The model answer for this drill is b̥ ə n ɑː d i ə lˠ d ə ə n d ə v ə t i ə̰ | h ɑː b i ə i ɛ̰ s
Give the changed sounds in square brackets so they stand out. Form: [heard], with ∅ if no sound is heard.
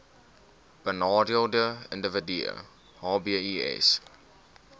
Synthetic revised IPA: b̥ ə n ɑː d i ə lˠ d ə ə n d ə v ə [d] i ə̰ | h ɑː b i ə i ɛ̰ s

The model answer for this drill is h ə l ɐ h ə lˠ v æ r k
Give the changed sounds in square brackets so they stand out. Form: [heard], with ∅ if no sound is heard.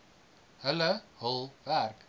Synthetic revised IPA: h ə l [ə] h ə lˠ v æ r k

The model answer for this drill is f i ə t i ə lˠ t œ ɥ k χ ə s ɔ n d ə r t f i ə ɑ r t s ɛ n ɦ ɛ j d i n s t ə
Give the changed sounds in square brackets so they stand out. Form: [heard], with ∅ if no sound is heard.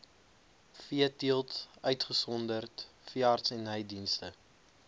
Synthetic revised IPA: f i ə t i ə lˠ t œ ɥ [t] χ ə s ɔ n d ə r t f i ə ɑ r t s ɛ n ɦ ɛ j d i n s t ə

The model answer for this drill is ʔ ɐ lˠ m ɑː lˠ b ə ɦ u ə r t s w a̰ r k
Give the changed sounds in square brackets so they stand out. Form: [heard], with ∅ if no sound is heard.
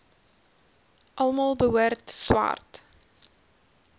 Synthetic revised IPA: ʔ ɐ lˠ m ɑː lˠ b ə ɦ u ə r t s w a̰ r [t]

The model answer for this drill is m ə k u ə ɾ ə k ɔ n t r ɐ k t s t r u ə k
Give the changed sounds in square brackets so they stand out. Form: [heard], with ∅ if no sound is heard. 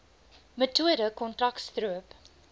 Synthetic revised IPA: m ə [t] u ə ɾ ə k ɔ n t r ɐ k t s t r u ə [p]

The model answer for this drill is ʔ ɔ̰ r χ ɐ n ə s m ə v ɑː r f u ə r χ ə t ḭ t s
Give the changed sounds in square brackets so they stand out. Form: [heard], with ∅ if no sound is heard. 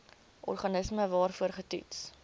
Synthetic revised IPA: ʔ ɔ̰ r χ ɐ n ə s m ə v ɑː r f u ə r χ ə t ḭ t s

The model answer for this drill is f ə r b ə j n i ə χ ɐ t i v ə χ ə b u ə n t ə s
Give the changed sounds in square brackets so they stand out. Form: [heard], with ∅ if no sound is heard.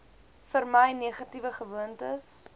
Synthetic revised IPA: f ə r [m] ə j n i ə χ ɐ t i v ə χ ə [v] u ə n t ə s

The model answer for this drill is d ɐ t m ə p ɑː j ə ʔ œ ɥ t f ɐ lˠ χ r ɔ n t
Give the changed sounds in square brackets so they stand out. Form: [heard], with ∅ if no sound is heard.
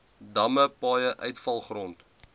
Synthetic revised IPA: d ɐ [∅] m ə p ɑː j ə ʔ œ ɥ t f ɐ lˠ χ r ɔ n t

